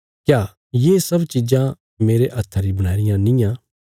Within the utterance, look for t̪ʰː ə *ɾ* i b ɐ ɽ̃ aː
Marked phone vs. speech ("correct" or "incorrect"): correct